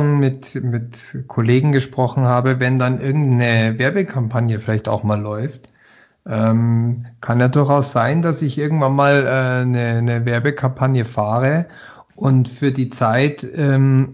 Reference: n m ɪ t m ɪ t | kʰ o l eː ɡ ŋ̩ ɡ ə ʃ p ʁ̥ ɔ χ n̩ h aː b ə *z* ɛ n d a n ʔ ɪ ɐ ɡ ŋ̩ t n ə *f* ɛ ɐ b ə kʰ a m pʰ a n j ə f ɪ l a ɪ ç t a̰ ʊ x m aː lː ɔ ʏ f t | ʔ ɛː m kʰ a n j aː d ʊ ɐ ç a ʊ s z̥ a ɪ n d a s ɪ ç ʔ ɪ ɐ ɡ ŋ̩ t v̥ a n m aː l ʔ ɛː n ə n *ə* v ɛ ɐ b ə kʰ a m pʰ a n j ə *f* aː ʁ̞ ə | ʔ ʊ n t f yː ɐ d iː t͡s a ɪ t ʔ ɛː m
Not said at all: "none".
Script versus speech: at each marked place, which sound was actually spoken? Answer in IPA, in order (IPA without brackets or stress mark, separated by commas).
v, v, ə, f